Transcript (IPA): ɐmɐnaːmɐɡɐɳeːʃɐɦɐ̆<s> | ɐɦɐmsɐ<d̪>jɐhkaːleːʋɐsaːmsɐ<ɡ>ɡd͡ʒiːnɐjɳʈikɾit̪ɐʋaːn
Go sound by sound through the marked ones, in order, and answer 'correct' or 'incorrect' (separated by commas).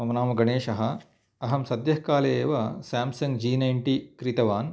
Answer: incorrect, correct, incorrect